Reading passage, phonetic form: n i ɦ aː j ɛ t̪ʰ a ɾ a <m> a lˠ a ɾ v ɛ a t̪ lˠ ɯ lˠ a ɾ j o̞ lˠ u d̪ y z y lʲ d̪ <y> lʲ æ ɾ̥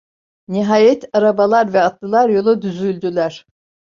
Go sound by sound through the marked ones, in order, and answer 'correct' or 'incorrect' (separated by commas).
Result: incorrect, correct